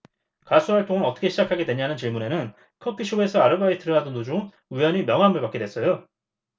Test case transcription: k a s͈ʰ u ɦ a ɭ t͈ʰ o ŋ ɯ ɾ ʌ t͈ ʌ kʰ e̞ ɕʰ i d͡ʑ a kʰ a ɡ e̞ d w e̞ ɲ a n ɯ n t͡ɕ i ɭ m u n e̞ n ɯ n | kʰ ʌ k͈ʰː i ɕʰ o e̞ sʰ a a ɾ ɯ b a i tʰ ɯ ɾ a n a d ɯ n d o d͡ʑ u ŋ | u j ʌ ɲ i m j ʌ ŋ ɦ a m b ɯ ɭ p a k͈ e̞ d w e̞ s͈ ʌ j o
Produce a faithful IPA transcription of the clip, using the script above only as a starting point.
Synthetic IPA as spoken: k a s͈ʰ u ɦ a ɭ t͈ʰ o ŋ ɯ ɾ ʌ t͈ ʌ kʰ e̞ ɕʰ i d͡ʑ a kʰ a ɡ e̞ d w e̞ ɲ a n ɯ n t͡ɕ i ɭ m u n e̞ n ɯ n | kʰ ʌ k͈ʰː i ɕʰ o e̞ sʰ ʌ a ɾ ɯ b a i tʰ ɯ ɾ ʌ n a d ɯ n d o d͡ʑ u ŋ | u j ʌ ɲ i m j ʌ ŋ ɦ a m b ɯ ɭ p a k͈ e̞ d w e̞ s͈ ʌ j o